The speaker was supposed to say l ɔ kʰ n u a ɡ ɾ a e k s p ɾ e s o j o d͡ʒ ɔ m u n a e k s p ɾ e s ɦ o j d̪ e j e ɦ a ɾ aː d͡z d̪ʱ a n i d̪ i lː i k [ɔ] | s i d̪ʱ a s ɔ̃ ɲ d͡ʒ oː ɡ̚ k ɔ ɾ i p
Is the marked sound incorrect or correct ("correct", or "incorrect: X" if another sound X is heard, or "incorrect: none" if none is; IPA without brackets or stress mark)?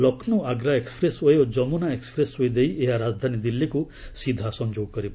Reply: incorrect: u